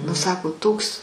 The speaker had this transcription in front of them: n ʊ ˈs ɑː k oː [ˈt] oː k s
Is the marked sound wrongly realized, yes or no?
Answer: no